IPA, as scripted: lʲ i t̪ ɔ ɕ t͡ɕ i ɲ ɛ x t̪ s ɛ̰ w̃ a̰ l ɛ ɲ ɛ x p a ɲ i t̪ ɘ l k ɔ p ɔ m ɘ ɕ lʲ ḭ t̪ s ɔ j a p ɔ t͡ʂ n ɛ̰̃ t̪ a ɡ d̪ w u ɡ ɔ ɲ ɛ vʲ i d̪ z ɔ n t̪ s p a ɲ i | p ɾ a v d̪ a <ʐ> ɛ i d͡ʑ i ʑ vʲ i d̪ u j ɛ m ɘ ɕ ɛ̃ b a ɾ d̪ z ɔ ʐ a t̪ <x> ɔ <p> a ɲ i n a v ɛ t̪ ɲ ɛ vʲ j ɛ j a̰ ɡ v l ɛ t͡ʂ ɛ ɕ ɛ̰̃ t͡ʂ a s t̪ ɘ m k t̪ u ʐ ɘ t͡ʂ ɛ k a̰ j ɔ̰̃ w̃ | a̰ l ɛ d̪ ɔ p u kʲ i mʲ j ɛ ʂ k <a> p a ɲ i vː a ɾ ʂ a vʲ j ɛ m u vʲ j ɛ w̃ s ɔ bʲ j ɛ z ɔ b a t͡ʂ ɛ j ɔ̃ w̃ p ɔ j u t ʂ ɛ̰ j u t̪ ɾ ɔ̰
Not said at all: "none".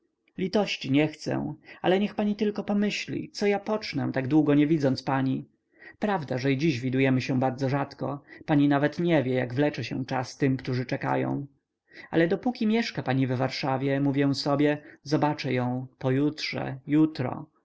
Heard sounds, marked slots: ʐ, k, p, a

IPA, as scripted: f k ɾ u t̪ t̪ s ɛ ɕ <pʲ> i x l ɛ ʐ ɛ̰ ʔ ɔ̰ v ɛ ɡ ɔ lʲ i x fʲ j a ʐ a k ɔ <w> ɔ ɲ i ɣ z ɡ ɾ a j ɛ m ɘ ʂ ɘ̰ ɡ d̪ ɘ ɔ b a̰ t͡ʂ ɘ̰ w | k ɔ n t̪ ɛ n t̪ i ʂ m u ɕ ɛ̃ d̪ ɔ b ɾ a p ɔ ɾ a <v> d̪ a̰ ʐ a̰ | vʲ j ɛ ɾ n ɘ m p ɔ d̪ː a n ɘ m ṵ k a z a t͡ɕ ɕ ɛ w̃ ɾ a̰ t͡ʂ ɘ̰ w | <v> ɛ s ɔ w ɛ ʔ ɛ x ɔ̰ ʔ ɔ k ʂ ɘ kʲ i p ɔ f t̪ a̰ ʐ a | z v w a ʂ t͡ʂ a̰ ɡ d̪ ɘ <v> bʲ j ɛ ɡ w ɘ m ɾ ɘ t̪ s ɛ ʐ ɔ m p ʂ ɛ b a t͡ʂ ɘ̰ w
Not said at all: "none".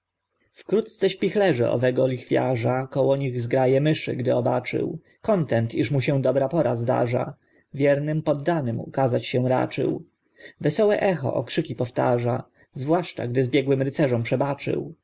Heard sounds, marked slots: pʲ, w, z, v, z

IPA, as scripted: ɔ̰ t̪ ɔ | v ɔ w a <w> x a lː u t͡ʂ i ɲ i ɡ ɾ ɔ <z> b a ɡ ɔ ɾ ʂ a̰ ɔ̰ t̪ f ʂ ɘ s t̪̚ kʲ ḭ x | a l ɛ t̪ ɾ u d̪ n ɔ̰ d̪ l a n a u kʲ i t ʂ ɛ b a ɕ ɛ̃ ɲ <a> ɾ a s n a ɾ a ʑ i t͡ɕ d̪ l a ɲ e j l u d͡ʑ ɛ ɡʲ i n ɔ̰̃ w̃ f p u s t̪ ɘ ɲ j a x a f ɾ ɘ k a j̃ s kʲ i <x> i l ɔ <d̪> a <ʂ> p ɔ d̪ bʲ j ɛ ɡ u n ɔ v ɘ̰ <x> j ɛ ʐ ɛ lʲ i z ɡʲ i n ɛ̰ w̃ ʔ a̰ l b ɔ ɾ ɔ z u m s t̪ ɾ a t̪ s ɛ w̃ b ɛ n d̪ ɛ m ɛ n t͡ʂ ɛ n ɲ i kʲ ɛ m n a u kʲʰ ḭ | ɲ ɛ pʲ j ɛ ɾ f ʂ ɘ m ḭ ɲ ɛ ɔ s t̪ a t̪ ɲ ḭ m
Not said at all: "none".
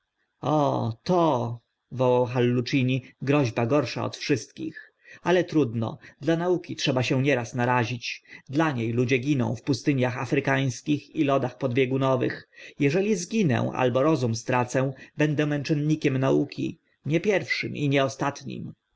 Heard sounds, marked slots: w, ʑ, ɛ, x, d̪, x, x

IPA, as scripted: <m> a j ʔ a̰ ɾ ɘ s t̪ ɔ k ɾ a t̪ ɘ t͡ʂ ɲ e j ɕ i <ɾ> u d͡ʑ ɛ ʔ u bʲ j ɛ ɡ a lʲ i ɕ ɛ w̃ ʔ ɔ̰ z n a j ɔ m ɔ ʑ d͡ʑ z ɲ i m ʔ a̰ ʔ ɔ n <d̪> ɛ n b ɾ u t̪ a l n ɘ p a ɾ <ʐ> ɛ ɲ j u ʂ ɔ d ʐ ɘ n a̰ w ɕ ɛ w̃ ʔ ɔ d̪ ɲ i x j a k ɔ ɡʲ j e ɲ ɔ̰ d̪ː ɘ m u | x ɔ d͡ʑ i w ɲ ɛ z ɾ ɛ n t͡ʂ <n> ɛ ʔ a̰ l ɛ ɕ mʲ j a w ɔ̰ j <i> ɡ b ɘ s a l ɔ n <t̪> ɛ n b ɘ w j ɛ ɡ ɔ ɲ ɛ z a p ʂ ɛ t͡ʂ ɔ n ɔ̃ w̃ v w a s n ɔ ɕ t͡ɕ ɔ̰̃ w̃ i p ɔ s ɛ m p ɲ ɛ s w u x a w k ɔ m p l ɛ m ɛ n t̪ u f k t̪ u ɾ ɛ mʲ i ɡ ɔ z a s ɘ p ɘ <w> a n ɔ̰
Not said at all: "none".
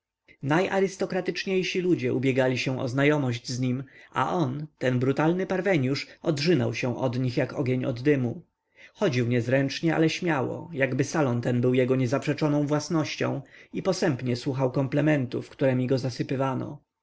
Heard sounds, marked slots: n, l, t̪, v, ɲ, a, t̪, v

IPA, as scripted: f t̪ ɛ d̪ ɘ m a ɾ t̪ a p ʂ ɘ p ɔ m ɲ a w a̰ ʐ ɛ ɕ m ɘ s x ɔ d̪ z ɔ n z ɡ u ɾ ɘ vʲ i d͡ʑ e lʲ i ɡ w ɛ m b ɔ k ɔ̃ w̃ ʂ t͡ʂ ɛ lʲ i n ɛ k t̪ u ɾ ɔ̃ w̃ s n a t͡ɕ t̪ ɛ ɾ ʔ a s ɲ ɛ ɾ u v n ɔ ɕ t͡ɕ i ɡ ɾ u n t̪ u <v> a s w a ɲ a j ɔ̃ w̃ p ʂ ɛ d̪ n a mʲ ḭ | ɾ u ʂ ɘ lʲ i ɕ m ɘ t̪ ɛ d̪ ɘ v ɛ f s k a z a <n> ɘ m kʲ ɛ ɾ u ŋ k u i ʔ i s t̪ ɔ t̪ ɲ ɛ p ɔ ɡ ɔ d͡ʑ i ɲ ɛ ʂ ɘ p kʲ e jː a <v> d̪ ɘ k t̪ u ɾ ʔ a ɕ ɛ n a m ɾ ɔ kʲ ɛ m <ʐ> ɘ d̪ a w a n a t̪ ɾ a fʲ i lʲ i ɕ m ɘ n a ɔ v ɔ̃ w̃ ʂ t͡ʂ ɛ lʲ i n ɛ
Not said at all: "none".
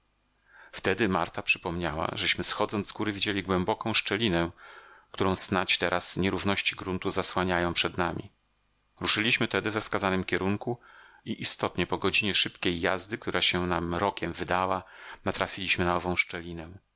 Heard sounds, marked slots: z, n, z, v

